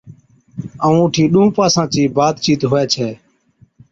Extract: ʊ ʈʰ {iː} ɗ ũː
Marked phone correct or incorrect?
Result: correct